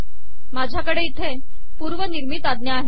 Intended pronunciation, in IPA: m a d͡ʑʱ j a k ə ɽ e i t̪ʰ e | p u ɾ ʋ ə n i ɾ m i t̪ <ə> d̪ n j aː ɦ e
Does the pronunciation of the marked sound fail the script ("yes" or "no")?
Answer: yes